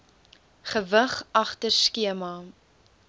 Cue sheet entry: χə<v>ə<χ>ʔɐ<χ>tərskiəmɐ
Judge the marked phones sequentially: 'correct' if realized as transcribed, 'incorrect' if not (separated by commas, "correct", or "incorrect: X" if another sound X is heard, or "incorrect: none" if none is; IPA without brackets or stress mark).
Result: correct, correct, correct